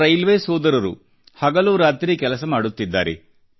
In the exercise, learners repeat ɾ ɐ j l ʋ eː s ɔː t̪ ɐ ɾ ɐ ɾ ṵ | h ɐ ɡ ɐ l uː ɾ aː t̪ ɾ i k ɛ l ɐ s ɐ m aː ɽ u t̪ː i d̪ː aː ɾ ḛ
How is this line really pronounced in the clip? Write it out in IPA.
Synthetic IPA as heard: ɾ ɐ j l ʋ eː s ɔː d̪ ɐ ɾ ɐ ɾ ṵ | h ɐ ɡ ɐ l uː ɾ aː t̪ ɾ i k ɛ l ɐ s ɐ m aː ɽ u t̪ː i d̪ː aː ɾ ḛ